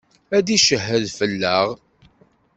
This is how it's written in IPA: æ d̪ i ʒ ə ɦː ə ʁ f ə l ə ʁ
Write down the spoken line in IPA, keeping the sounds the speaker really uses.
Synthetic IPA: æ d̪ i ʃ ə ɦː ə ð f ə lː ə ʁ